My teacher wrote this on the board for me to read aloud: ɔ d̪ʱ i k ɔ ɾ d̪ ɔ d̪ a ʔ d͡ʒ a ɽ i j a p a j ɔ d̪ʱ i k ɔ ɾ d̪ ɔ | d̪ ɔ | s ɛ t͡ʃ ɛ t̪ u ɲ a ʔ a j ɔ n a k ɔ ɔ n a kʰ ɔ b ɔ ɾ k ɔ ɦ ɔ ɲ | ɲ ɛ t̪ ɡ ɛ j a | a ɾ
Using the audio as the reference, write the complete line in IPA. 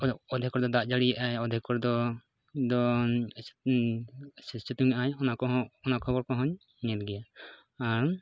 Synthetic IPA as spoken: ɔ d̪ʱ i k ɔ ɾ d̪ ɔ d̪ a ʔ d͡ʒ a ɽ i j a ʔ a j ɔ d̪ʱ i k ɔ ɾ d̪ ɔ | d̪ ɔ | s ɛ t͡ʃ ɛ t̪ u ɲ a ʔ a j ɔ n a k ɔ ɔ n a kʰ ɔ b ɔ ɾ k ɔ ɦ ɔ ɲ | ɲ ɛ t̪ ɡ ɛ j a | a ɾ